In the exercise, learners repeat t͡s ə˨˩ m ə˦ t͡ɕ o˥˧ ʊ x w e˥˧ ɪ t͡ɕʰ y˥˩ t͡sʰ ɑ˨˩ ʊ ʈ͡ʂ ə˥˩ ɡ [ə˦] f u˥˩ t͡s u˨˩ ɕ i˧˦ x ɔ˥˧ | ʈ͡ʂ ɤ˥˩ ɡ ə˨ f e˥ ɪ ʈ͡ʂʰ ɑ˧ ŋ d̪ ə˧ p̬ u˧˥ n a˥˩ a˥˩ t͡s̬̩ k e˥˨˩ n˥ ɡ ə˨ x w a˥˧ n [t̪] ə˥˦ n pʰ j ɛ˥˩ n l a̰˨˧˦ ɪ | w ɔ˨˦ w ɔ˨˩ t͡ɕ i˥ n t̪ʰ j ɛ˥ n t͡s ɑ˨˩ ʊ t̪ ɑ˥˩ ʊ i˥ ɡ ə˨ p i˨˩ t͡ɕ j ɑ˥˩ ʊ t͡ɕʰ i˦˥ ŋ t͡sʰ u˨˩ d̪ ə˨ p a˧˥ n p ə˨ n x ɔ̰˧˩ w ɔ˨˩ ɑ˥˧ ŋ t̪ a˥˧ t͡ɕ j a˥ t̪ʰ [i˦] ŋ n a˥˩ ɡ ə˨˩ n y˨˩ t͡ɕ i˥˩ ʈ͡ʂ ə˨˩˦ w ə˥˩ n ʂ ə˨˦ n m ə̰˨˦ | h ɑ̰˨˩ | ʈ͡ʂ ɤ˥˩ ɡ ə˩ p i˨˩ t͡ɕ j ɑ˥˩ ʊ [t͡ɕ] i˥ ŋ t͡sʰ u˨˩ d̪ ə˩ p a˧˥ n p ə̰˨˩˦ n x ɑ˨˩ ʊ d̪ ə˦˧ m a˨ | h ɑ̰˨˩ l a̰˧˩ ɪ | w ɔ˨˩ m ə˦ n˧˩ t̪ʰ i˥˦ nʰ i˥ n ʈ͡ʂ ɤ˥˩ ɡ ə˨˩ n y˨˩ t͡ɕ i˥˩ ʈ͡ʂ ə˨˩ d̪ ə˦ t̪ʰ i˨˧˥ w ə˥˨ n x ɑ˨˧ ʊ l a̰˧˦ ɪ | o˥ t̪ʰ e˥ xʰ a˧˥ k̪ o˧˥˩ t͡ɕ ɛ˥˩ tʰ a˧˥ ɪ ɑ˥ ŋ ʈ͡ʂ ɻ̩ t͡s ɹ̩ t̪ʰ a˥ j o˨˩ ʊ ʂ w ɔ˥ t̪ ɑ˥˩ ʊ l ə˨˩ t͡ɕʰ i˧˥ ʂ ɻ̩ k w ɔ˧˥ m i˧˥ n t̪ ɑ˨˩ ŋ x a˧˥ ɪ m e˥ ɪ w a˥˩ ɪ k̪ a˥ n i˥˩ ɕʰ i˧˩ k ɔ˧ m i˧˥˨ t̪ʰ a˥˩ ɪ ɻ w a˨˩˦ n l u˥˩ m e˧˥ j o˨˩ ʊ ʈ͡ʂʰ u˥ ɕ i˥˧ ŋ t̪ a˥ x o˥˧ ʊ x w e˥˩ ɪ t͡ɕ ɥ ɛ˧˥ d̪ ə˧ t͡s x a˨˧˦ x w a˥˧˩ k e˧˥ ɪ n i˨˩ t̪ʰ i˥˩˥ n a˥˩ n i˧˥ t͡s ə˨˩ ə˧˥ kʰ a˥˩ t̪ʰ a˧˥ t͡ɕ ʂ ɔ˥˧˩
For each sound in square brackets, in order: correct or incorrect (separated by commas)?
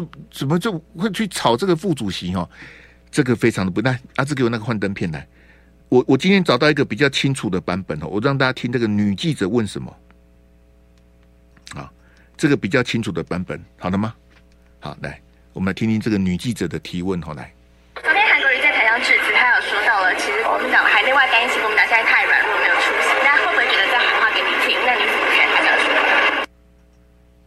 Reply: incorrect, correct, correct, incorrect